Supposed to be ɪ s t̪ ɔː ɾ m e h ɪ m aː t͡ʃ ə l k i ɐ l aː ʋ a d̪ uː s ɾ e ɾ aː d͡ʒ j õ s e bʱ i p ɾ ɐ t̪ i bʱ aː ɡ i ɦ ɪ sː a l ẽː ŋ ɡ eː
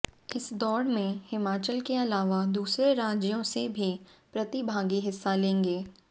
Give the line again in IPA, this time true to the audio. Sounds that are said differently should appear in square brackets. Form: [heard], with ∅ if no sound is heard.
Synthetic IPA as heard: ɪ s [d̪] ɔː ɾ m [ẽ] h ɪ m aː t͡ʃ ə l k [e] ɐ l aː ʋ a d̪ uː s ɾ e ɾ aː d͡ʒ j õ s e bʱ i p ɾ ɐ t̪ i bʱ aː ɡ i ɦ ɪ sː a l ẽː ŋ ɡ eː